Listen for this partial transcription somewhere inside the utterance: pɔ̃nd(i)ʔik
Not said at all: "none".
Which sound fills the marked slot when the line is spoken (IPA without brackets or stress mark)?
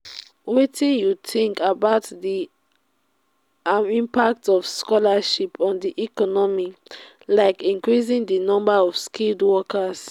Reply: i